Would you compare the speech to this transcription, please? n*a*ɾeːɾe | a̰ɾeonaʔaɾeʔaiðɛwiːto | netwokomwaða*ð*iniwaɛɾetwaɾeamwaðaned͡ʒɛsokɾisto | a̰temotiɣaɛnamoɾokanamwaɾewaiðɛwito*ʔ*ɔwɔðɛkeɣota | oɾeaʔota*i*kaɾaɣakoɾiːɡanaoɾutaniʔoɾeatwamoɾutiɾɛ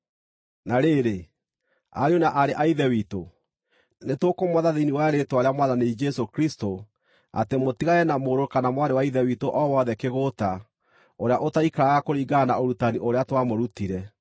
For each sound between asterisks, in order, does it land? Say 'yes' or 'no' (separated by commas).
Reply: yes, yes, yes, yes